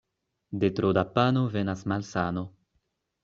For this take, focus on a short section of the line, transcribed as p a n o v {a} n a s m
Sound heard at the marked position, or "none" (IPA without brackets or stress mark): e